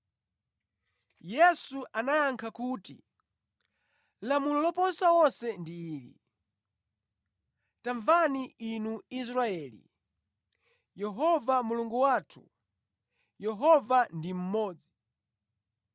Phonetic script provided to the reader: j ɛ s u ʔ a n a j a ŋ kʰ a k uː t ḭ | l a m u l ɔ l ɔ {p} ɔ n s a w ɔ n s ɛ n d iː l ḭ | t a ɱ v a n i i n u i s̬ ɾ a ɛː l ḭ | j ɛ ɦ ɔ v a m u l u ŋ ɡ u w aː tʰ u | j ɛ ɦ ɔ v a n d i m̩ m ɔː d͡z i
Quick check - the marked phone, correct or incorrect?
correct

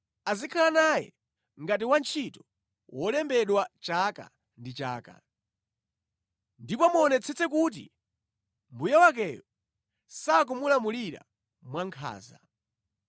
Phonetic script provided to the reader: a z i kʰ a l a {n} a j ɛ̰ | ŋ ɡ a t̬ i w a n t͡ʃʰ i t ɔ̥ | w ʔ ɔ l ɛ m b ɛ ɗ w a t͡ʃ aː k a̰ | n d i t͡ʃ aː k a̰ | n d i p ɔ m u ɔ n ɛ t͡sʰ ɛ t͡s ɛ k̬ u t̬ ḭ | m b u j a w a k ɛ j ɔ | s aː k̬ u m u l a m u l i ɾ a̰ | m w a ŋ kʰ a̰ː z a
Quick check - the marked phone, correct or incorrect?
correct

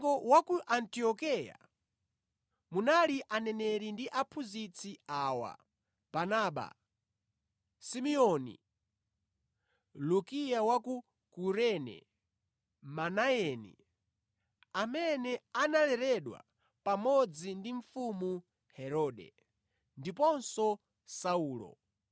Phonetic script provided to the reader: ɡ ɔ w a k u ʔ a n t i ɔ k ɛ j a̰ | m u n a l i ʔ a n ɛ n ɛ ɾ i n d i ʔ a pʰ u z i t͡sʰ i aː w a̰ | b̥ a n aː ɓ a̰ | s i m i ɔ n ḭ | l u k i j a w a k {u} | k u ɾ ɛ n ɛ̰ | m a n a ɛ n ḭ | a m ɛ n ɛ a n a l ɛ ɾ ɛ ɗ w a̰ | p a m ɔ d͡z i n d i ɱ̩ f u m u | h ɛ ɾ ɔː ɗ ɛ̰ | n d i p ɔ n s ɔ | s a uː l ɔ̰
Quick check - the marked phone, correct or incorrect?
correct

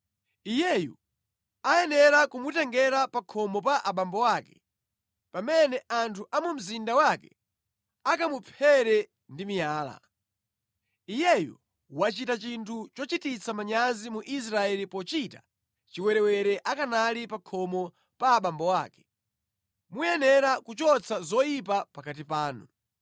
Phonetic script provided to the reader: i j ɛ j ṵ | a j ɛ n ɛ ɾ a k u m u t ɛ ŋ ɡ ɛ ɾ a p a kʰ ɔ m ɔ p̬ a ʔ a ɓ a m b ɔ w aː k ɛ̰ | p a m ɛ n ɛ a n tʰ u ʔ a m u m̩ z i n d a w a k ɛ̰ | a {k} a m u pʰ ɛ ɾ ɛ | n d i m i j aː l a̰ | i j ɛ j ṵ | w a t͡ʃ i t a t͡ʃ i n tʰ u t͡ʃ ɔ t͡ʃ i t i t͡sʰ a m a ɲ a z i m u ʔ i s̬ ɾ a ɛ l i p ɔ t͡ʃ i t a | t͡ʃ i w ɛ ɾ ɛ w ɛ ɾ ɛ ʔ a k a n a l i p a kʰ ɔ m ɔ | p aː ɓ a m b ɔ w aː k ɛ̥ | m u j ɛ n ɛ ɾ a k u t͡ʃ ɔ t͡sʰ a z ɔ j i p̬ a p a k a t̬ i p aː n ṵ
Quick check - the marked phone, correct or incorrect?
correct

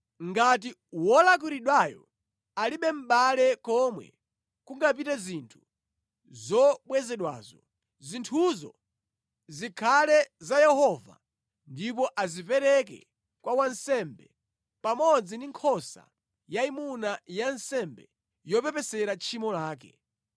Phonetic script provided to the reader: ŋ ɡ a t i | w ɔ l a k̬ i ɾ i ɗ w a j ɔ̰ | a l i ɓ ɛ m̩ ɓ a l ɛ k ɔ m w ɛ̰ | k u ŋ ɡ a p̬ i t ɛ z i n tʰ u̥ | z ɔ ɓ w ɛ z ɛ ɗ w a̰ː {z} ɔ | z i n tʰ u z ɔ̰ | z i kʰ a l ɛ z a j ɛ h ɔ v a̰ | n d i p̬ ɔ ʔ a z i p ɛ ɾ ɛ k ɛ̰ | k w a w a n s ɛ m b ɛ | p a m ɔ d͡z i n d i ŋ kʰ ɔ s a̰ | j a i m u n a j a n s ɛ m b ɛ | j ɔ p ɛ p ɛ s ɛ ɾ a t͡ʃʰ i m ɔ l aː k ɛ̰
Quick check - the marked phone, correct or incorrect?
correct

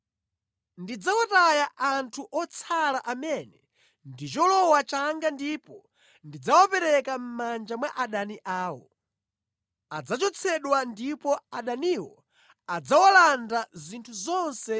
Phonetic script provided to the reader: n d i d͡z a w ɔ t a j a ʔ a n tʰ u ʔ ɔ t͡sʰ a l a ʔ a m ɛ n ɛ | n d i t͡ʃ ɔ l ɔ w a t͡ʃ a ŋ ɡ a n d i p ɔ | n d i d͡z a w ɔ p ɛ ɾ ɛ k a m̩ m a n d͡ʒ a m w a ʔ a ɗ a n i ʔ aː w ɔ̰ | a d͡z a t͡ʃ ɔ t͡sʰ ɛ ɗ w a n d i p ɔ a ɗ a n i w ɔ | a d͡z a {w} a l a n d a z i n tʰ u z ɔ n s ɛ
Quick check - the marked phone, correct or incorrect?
correct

